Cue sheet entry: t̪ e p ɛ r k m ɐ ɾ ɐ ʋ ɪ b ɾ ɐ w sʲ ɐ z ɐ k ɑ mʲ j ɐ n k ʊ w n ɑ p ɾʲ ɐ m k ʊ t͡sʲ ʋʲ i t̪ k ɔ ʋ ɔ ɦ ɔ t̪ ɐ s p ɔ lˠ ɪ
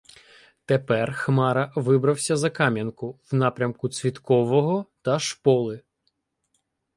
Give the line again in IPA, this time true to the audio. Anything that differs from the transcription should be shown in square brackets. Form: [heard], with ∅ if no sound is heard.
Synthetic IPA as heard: t̪ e p ɛ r [x] m [ɑ] ɾ ɐ ʋ ɪ b ɾ ɐ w sʲ ɐ z ɐ k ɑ mʲ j ɐ n k ʊ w n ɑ p ɾʲ ɐ m k ʊ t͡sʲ ʋʲ i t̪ k ɔ ʋ ɔ ɦ ɔ t̪ ɐ [ʃ] p ɔ lˠ ɪ

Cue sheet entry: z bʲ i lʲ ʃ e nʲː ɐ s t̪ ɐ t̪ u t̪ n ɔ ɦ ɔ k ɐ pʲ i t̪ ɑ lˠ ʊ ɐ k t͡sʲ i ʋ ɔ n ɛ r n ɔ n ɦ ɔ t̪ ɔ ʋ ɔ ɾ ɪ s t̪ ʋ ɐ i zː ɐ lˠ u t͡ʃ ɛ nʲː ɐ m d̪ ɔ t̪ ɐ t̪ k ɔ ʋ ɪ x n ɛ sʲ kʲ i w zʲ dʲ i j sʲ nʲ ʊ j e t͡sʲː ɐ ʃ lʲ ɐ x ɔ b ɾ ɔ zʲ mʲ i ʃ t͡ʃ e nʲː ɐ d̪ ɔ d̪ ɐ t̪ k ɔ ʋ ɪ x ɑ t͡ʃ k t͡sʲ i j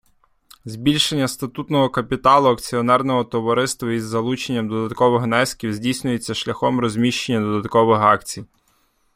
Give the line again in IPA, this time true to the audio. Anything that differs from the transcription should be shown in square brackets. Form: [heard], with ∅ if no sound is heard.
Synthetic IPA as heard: z bʲ i lʲ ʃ e nʲː ɐ s t̪ ɐ t̪ u t̪ n ɔ ɦ ɔ k ɐ pʲ i t̪ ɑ lˠ ʊ ɐ k t͡sʲ i [∅] ɔ n ɛ r n ɔ [∅] ɦ ɔ t̪ ɔ ʋ ɔ ɾ ɪ s t̪ ʋ ɐ i zː ɐ lˠ u t͡ʃ [e] nʲː ɐ m d̪ ɔ [d̪] ɐ t̪ k ɔ ʋ ɪ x n ɛ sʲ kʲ i w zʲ dʲ i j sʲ nʲ ʊ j e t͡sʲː ɐ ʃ lʲ ɐ x ɔ [m] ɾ ɔ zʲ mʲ i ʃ t͡ʃ e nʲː ɐ d̪ ɔ d̪ ɐ t̪ k ɔ ʋ ɪ x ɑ [∅] k t͡sʲ i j

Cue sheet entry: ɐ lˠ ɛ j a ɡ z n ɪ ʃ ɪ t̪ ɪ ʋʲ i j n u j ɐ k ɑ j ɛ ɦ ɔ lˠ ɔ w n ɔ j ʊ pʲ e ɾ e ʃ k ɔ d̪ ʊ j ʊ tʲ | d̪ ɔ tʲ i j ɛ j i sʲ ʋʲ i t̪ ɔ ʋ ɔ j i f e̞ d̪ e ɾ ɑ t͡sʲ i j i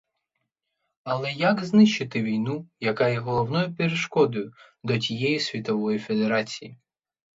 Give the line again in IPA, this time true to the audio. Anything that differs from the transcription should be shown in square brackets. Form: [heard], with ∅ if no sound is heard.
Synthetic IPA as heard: ɐ lˠ ɛ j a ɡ z n ɪ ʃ ɪ t̪ ɪ ʋʲ i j n u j ɐ k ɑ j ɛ ɦ ɔ lˠ ɔ w n ɔ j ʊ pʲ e ɾ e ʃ k ɔ d̪ ʊ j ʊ [∅] | d̪ ɔ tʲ i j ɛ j i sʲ ʋʲ i t̪ ɔ ʋ ɔ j i f e̞ d̪ e ɾ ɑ t͡sʲ i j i

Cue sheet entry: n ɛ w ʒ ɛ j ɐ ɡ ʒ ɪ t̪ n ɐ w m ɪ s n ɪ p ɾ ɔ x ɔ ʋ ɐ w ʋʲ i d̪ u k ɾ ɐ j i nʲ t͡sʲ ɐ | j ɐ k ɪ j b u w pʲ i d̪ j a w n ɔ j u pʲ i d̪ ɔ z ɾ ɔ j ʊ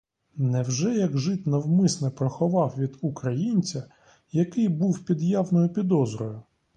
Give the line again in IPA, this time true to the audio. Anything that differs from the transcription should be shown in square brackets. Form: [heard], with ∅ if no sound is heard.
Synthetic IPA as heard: n ɛ w ʒ ɛ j ɐ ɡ ʒ ɪ t̪ n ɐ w m ɪ s n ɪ p ɾ ɔ x ɔ ʋ [ɑ] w ʋʲ i d̪ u k ɾ ɐ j i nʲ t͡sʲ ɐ | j ɐ k ɪ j b u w pʲ i d̪ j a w n ɔ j [ʊ] pʲ i d̪ ɔ z ɾ ɔ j ʊ

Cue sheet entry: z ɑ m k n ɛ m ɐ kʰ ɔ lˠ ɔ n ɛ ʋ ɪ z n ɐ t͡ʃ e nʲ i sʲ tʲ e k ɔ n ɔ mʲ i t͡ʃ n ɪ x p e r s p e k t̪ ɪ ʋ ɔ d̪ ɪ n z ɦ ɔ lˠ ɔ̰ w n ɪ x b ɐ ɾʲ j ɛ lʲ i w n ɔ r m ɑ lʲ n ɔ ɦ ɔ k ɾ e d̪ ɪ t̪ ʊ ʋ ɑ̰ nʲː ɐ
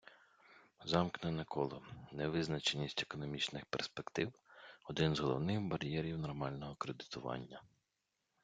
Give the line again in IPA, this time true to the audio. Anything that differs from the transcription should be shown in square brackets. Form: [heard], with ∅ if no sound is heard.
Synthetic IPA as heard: z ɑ m k n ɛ [n] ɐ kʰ ɔ lˠ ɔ n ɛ ʋ ɪ z n ɐ t͡ʃ e nʲ i sʲ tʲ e k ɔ n ɔ mʲ i t͡ʃ n ɪ x p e r s p e k t̪ ɪ [w] ɔ d̪ ɪ n z ɦ ɔ lˠ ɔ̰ w n ɪ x b ɐ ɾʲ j ɛ [ɾʲ] i w n ɔ r m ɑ lʲ n ɔ ɦ ɔ k ɾ e d̪ ɪ t̪ ʊ ʋ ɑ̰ nʲː ɐ

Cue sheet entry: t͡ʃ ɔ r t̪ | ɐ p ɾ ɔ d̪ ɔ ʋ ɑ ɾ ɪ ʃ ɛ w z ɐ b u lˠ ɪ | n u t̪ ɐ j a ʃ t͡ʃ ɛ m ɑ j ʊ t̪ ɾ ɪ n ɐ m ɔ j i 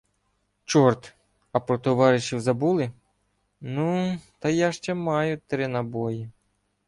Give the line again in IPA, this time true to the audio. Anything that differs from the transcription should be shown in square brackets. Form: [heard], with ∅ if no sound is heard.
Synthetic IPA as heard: t͡ʃ ɔ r t̪ | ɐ p ɾ ɔ [t̪] ɔ ʋ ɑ ɾ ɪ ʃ [i] w z ɐ b u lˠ ɪ | n u t̪ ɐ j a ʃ t͡ʃ ɛ m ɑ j ʊ t̪ ɾ ɪ n ɐ [b] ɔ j i

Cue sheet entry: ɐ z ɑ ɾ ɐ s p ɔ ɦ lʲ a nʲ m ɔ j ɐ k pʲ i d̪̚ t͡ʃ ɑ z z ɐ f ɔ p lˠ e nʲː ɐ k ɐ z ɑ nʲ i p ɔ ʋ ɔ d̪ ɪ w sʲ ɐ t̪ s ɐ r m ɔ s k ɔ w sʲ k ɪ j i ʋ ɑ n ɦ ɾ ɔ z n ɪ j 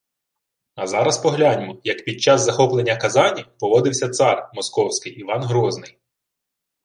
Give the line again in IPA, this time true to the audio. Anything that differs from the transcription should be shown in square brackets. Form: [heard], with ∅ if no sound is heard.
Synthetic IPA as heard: ɐ z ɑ ɾ ɐ s p ɔ ɦ lʲ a nʲ m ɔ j ɐ k pʲ i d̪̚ t͡ʃ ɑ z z ɐ [x] ɔ p lˠ e nʲː ɐ k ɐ z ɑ nʲ i p ɔ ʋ ɔ d̪ ɪ w sʲ ɐ t̪ s [ɑ] r m ɔ s k ɔ w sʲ k ɪ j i ʋ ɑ n ɦ ɾ ɔ z n ɪ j

